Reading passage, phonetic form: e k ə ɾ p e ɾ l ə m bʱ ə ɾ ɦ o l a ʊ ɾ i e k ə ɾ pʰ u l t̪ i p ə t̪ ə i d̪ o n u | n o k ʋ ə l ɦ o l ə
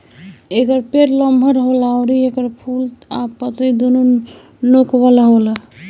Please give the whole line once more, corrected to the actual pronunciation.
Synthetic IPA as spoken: e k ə ɾ p e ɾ l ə m bʱ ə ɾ ɦ o l a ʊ ɾ i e k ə ɾ pʰ u l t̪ a p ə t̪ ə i d̪ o n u | n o k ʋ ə l ɦ o l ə